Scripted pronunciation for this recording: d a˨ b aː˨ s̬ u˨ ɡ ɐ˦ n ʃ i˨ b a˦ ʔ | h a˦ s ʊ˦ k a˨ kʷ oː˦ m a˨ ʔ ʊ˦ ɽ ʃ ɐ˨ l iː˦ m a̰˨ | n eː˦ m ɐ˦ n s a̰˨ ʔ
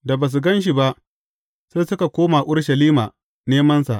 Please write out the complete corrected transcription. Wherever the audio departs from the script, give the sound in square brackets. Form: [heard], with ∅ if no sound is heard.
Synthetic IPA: d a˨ b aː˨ s̬ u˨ ɡ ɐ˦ n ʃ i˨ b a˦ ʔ | [s] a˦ s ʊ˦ k a˨ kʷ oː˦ m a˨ ʔ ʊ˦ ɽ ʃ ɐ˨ l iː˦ m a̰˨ | n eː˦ m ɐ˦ n s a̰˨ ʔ